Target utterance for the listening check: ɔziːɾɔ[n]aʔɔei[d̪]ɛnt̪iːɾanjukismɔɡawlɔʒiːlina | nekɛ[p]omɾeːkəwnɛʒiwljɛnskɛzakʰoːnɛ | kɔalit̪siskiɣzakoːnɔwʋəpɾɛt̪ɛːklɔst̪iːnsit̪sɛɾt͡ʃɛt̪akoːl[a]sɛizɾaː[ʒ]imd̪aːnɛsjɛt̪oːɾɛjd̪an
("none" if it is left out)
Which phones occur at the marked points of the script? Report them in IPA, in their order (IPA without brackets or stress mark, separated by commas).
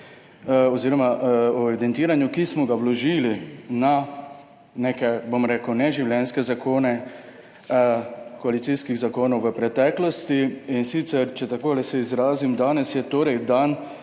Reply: m, d̪, b, ɛ, z